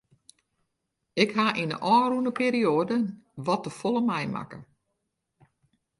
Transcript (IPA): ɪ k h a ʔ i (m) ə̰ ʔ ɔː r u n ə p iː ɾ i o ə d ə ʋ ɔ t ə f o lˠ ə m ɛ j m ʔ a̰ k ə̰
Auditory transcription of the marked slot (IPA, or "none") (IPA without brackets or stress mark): n